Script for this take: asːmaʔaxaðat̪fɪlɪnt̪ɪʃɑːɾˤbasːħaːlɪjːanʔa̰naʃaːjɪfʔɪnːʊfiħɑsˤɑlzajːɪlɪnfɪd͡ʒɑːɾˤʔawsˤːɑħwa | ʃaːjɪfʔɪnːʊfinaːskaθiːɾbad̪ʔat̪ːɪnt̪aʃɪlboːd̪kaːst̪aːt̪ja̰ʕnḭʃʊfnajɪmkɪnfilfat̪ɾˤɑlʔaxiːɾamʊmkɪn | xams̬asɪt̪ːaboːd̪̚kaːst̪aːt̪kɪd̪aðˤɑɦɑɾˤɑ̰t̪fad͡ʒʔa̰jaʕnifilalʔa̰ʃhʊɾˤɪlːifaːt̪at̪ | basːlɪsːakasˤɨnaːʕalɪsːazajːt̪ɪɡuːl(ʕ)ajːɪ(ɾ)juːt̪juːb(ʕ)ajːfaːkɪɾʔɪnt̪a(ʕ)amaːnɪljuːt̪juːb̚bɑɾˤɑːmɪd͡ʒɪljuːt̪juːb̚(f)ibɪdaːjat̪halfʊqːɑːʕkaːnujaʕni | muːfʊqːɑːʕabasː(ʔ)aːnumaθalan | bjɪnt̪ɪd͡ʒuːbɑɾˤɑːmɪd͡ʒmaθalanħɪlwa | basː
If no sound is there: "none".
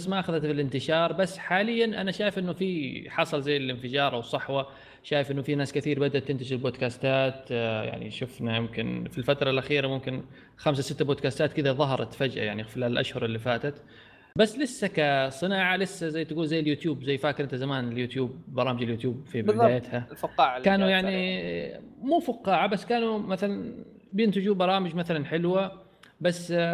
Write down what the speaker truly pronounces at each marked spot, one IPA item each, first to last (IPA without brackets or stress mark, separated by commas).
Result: z, l, z, z, f, k